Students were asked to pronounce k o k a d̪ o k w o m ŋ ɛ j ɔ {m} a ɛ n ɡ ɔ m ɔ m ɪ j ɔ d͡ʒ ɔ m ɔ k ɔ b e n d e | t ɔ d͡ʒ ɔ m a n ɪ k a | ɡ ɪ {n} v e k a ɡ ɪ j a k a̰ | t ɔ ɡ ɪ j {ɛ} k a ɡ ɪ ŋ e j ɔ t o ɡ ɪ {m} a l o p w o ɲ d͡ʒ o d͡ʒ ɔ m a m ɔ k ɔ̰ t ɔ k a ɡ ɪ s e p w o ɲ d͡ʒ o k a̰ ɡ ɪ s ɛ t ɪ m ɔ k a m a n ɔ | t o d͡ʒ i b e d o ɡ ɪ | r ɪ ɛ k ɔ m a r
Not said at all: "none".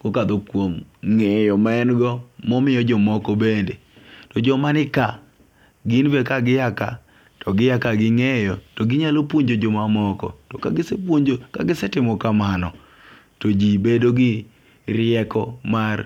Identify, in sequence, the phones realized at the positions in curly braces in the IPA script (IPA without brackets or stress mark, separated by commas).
m, n, a, ɲ